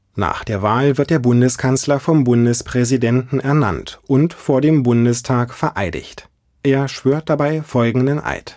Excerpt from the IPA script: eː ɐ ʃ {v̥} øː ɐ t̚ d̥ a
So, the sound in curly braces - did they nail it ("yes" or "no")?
yes